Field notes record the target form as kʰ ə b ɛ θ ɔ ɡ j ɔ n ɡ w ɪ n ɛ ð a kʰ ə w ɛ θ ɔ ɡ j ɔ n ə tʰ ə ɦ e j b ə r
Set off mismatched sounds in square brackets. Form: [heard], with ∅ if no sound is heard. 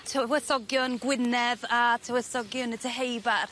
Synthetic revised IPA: [tʰ] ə [w] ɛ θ ɔ ɡ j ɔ n ɡ w ɪ n ɛ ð a [tʰ] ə w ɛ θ ɔ ɡ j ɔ n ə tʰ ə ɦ e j b [a] r